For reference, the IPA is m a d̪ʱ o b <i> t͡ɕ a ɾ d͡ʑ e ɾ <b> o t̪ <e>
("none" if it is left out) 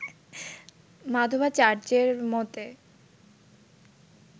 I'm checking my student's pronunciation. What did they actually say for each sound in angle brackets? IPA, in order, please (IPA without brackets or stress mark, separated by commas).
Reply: a, m, e